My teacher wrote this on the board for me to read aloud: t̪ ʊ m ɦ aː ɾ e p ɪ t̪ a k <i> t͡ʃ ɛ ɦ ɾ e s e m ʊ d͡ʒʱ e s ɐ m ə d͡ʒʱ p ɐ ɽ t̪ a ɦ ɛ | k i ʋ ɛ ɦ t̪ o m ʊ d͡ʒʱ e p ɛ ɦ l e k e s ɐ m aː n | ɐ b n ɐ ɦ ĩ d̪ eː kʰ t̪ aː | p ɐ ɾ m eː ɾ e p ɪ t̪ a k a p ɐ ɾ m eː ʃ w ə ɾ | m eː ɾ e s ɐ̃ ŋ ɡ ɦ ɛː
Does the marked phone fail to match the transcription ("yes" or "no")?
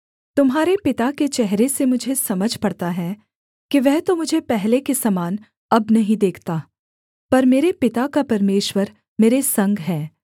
yes